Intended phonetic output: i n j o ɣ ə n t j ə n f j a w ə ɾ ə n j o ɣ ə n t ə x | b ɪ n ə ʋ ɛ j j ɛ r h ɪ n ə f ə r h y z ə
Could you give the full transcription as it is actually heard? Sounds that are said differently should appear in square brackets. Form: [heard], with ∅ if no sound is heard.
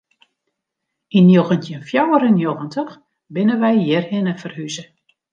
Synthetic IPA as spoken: i n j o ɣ ə n t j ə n f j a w ə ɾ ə n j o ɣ ə n t ə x | b ɪ n ə ʋ ɛ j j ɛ r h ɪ n ə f ə r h y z ə